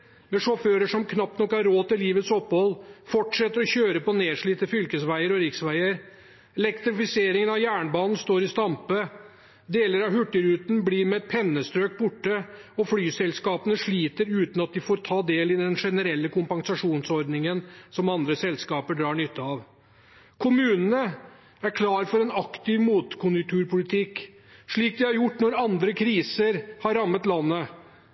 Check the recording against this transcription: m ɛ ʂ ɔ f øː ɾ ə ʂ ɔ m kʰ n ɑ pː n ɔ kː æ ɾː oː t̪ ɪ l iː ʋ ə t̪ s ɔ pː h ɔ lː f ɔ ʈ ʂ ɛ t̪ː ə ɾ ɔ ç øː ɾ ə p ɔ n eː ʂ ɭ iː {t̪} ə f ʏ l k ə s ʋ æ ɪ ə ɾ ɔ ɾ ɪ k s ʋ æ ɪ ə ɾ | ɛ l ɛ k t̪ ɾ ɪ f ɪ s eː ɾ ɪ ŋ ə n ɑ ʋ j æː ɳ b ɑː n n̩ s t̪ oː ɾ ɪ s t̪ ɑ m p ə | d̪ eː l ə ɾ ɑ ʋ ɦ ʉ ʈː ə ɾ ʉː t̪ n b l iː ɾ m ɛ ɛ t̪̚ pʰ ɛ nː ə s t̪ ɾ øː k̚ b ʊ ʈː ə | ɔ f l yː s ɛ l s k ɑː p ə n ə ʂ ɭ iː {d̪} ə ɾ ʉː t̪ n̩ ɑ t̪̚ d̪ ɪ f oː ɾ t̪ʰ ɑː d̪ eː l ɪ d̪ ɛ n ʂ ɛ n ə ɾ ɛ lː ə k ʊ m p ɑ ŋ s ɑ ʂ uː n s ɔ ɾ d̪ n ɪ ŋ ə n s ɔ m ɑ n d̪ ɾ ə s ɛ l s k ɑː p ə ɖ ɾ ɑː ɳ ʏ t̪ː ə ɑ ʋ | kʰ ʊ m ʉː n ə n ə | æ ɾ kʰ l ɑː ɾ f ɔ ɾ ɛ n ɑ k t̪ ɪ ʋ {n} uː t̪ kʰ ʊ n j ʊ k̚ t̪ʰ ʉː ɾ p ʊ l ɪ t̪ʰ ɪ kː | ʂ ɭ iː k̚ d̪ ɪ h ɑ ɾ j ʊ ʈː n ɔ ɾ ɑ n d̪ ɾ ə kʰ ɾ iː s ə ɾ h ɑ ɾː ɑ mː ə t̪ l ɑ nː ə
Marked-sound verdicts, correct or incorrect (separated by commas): correct, incorrect, incorrect